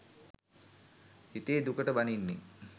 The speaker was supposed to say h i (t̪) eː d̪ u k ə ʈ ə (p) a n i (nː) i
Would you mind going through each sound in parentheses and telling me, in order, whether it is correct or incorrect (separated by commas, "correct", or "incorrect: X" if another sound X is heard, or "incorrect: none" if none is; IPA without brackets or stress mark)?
correct, incorrect: b, correct